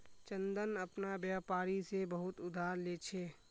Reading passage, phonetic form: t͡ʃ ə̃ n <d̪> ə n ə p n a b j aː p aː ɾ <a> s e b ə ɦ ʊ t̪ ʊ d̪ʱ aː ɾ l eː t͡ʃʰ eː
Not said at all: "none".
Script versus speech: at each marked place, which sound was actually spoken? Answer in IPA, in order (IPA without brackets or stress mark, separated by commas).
d̪, i